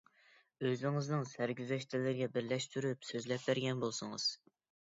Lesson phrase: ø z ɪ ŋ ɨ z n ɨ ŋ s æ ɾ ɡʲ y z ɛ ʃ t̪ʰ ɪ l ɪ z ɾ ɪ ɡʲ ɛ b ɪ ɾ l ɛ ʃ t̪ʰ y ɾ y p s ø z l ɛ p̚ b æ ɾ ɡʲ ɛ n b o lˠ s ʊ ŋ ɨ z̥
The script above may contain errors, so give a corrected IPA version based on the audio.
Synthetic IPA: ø z ɪ ŋ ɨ z n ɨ ŋ s æ ɾ ɡʲ y z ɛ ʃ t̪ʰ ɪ l ɪ ɾ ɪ ɡʲ ɛ b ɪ ɾ l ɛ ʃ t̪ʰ y ɾ y p s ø z l ɛ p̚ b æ ɾ ɡʲ ɛ n b o lˠ s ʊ ŋ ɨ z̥